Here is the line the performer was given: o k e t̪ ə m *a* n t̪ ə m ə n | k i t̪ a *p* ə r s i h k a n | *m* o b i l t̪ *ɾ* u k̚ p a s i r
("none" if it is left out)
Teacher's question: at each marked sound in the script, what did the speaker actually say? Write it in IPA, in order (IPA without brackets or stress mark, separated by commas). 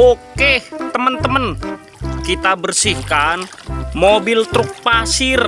ə, b, m, ɾ